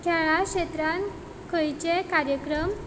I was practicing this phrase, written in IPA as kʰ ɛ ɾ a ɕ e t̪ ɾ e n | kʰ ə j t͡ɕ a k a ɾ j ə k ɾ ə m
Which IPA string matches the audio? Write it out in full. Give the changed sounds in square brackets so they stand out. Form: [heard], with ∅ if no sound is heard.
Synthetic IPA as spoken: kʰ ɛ [ɭ] a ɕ e t̪ ɾ [a] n | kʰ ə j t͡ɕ [e] k a ɾ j ə k ɾ ə m